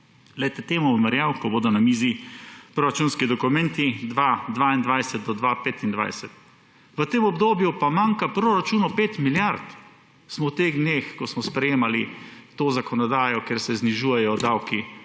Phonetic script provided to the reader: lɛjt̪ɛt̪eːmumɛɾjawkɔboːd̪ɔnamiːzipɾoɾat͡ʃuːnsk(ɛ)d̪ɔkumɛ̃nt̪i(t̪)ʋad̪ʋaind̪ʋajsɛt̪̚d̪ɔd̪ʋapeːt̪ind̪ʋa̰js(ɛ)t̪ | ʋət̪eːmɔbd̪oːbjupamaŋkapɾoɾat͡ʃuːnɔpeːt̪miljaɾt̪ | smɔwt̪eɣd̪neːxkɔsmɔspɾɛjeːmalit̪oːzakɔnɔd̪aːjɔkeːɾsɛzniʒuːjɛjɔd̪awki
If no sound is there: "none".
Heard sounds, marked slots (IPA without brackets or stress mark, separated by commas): i, d̪, ɛ